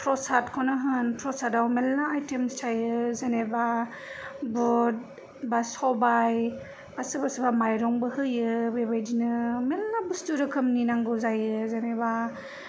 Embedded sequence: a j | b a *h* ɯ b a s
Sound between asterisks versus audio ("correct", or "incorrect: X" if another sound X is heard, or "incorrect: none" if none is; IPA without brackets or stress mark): incorrect: s